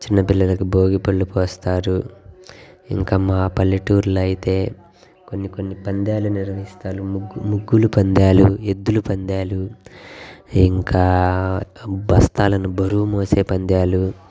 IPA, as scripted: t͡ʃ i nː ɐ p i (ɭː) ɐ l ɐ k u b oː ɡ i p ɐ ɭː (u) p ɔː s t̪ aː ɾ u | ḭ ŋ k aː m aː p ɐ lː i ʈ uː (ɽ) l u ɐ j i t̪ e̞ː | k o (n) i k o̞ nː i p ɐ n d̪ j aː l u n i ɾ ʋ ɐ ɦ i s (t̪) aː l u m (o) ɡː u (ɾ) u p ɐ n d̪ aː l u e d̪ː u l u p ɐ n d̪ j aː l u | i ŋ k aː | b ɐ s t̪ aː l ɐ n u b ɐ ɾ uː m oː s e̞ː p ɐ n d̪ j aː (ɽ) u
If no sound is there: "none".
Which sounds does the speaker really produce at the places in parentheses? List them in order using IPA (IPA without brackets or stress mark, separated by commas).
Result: lː, u, ɾ, nː, t̪, u, l, l